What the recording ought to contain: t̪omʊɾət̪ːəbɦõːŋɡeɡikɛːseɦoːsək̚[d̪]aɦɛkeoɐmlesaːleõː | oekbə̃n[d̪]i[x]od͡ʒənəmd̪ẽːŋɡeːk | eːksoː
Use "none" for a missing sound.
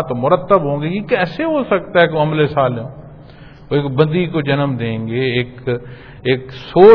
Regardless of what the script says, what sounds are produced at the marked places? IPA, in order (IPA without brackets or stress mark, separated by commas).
t̪, d̪, k